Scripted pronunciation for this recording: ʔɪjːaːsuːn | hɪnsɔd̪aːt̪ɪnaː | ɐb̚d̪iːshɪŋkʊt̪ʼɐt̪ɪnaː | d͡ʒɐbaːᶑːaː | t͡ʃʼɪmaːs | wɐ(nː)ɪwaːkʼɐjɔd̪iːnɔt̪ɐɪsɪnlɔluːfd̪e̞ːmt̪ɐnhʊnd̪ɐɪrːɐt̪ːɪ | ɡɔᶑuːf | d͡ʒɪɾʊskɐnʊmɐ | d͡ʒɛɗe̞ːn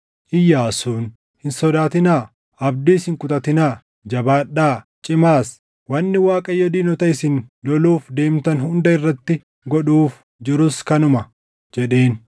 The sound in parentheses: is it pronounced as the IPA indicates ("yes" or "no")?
yes